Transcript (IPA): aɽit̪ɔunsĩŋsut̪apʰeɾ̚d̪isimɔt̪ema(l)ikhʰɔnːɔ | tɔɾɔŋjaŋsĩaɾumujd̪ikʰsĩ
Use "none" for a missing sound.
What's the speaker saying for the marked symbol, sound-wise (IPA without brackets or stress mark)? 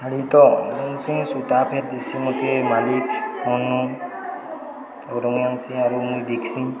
l